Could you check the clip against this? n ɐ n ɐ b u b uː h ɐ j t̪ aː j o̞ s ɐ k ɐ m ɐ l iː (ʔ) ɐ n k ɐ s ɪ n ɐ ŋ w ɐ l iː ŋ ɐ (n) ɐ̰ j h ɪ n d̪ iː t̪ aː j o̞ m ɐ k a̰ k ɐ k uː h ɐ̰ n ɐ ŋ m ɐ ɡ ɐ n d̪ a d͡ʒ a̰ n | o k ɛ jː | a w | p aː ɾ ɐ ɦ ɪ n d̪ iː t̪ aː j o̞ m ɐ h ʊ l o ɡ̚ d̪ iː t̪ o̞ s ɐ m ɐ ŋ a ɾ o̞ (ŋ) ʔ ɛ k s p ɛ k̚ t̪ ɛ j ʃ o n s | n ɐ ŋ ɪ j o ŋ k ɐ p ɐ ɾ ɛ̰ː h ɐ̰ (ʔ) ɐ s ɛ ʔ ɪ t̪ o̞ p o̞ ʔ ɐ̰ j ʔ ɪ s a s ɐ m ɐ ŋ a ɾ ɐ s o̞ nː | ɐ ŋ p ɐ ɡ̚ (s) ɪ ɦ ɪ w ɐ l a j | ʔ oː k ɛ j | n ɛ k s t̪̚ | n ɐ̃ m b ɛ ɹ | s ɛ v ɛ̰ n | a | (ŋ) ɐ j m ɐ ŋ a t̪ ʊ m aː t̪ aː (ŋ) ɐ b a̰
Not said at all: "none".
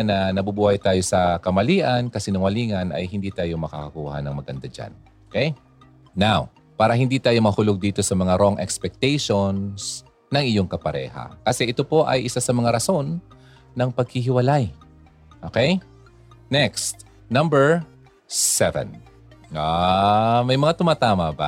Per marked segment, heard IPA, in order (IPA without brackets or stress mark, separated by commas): ʔ, n, ŋ, k, h, m, m